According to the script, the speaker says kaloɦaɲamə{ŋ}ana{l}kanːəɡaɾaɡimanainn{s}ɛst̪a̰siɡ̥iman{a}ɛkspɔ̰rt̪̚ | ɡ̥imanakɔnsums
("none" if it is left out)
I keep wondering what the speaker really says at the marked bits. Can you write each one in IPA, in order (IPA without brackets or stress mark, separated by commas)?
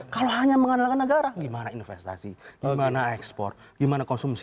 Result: ŋ, l, f, a